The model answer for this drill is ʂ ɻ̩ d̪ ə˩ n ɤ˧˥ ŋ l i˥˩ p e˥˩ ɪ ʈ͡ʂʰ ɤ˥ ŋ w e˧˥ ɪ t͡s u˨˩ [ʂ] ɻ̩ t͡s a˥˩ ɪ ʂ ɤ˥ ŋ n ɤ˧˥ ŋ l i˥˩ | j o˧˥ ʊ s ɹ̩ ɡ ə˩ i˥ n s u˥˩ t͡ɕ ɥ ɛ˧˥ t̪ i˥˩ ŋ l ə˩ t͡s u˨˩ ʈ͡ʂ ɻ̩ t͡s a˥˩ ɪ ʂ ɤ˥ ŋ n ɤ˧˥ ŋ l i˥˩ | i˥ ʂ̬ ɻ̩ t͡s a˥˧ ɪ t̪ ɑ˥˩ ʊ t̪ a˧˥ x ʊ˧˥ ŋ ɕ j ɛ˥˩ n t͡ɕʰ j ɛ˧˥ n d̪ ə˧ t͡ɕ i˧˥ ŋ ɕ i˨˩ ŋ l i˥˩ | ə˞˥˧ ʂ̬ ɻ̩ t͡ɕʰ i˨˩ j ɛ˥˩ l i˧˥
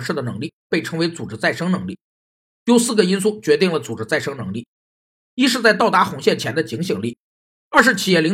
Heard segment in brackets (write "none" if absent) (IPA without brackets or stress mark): ʈ͡ʂ